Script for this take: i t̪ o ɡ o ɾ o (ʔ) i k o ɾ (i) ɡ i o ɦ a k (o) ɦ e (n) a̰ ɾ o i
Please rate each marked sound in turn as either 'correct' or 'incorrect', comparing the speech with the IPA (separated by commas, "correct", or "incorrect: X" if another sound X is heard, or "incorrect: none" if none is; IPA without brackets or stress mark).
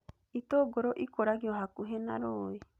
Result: correct, incorrect: a, incorrect: u, correct